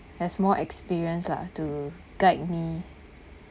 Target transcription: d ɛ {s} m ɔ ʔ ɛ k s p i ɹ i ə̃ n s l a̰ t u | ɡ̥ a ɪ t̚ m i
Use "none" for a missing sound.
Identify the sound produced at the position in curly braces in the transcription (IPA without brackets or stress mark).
s